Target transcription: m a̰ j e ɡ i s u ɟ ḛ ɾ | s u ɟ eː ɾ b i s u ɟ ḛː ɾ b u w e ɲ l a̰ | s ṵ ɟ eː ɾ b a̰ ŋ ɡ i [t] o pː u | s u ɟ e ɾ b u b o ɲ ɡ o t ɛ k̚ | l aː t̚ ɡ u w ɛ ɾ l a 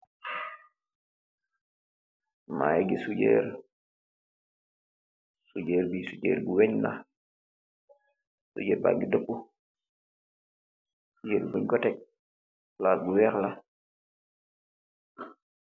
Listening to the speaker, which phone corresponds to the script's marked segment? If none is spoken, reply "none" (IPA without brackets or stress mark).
d